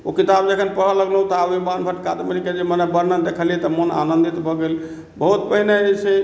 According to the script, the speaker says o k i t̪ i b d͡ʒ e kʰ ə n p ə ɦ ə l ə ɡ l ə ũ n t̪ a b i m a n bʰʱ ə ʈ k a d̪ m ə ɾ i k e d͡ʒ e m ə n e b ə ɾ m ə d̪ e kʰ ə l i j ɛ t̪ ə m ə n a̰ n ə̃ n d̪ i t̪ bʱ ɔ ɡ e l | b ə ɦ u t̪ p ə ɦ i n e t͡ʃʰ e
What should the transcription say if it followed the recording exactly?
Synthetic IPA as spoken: o k i t̪ a b d͡ʒ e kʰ ə n p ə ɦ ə l ə ɡ l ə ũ t̪ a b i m a n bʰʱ ə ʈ k a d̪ m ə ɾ i k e d͡ʒ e m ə n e b ə ɾ n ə d̪ e kʰ ə l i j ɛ t̪ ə m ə n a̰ n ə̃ n d̪ i t̪ bʱ ɔ ɡ e l | b ə ɦ u t̪ p ə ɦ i n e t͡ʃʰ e